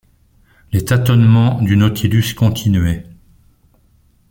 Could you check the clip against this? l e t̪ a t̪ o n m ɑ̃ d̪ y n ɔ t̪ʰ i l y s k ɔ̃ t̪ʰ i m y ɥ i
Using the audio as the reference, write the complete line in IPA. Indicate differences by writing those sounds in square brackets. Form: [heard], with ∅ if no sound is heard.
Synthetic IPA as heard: l e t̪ a t̪ [ɔ] n m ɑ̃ d̪ y n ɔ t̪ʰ i l y s k ɔ̃ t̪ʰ i [n] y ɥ [ɛ]

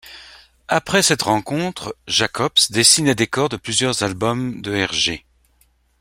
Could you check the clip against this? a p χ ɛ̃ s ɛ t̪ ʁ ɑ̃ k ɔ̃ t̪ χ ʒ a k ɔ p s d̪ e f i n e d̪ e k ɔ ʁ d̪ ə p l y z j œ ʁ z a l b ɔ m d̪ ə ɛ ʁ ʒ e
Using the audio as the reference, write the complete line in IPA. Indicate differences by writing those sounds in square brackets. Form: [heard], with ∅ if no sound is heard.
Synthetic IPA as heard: a p χ [ɛ] s ɛ t̪ ʁ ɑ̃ k ɔ̃ t̪ χ ʒ a k ɔ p s d̪ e [s] i n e d̪ e k ɔ ʁ d̪ ə p l y z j œ ʁ z a l b ɔ m d̪ ə ɛ ʁ ʒ e

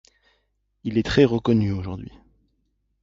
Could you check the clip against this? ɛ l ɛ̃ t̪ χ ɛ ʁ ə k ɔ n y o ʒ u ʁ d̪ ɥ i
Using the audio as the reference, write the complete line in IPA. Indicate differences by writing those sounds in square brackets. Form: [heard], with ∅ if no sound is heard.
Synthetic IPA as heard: [i] l [ɛ] t̪ χ ɛ ʁ ə k ɔ n y o ʒ u ʁ d̪ ɥ i

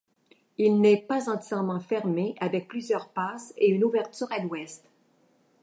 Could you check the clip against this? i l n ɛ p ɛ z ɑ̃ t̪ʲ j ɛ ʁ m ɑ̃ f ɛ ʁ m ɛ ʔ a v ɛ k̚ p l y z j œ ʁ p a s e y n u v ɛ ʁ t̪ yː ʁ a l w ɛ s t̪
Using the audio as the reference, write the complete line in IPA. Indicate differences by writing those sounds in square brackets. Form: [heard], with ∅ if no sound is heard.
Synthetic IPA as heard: i l n ɛ p [a] z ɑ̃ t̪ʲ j ɛ ʁ m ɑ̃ f ɛ ʁ m [e] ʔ a v ɛ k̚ p l y z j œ ʁ p a s e y n u v ɛ ʁ t̪ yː ʁ a l w ɛ s t̪

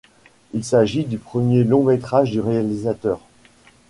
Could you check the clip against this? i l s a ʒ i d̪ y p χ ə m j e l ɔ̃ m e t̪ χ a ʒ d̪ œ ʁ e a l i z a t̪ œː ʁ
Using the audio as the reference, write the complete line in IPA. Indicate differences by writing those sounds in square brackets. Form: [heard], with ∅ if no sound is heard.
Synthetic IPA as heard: i l s a ʒ i d̪ y p χ ə m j e l ɔ̃ m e t̪ χ a ʒ d̪ [y] ʁ e a l i z a t̪ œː ʁ

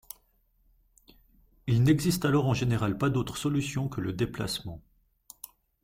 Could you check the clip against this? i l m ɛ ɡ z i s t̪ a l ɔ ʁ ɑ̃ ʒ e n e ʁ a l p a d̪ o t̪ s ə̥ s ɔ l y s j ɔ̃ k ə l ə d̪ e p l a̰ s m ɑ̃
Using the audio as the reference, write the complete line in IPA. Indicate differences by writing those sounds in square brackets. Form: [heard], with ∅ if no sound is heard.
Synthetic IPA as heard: i l [n] ɛ ɡ z i s t̪ a l ɔ ʁ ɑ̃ ʒ e n e ʁ a l p a d̪ o t̪ [χ] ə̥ s ɔ l y s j ɔ̃ k ə l ə d̪ e p l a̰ s m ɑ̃

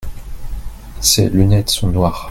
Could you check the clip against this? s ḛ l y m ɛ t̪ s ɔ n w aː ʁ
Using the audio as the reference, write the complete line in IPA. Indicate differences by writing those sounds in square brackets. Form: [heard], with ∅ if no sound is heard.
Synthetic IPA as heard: s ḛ l y [n] ɛ t̪ s [ɔ̃] n w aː ʁ

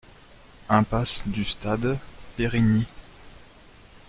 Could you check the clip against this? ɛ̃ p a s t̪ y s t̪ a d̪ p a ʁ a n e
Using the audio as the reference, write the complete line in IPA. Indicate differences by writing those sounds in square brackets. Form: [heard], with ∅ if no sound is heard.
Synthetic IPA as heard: ɛ̃ p a s [d̪] y s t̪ a d̪ p [e] ʁ [i] n [i]

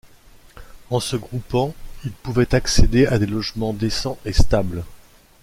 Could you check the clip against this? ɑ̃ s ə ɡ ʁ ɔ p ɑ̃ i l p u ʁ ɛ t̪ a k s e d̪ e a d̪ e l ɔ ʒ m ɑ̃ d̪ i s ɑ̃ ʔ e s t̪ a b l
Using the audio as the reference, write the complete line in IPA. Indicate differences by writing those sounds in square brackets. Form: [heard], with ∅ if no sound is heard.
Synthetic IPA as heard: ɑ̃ s ə ɡ ʁ [u] p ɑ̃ i l p u [v] ɛ t̪ a k s e d̪ e a d̪ e l ɔ ʒ m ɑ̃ d̪ [e] s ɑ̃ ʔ e s t̪ a b l

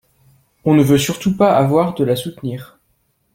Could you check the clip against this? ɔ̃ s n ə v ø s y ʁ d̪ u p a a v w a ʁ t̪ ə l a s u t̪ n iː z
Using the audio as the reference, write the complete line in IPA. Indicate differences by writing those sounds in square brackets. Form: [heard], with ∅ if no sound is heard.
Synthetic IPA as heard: ɔ̃ [∅] n ə v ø s y ʁ [t̪] u p a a v w a ʁ [d̪] ə l a s u t̪ n iː [ʁ]

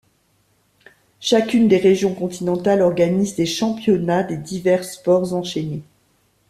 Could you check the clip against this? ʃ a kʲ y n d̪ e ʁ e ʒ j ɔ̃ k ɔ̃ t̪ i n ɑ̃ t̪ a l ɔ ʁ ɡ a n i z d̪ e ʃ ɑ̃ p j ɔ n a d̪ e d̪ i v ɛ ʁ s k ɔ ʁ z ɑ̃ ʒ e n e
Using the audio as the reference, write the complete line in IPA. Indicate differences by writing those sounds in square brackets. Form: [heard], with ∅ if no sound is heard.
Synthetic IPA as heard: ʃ a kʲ y n d̪ e ʁ e ʒ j ɔ̃ k ɔ̃ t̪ i n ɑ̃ t̪ a l ɔ ʁ ɡ a n i z d̪ e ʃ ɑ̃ p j ɔ n a d̪ e d̪ i v ɛ ʁ s [p] ɔ ʁ z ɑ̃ [ʃ] e n e

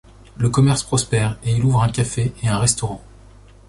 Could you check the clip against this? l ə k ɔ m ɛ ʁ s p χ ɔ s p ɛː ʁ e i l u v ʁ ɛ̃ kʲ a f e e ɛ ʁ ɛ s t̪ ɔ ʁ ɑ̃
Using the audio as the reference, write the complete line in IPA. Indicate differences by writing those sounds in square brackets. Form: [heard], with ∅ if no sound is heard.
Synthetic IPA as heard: l ə k ɔ m ɛ ʁ s p χ ɔ s p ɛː ʁ e i l u v ʁ ɛ̃ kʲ a f e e [ɛ̃] ʁ ɛ s t̪ ɔ ʁ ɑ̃

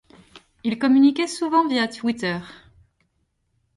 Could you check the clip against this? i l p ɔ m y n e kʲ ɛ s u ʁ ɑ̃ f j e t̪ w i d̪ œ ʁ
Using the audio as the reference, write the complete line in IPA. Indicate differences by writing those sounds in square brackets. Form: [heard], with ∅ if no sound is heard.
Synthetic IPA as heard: i l [k] ɔ m y n [i] kʲ ɛ s u [v] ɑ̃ [v] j [a] t̪ w i [t̪] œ ʁ

